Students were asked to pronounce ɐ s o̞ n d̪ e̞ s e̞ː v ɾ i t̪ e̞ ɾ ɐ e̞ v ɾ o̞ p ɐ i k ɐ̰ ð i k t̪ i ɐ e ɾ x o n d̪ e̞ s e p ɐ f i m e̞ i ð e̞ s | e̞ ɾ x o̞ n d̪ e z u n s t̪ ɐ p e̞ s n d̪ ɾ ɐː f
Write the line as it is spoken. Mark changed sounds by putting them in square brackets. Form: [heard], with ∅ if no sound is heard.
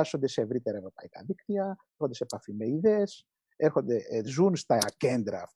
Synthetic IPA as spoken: ɐ s o̞ n d̪ e̞ s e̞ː v ɾ i t̪ e̞ ɾ ɐ e̞ v ɾ o̞ p ɐ i k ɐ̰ ð i k t̪ i ɐ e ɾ x o n d̪ e̞ s e p ɐ f i m e̞ i ð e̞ s | e̞ ɾ x o̞ n d̪ e z u n s t̪ ɐ [c] e̞ [∅] n d̪ ɾ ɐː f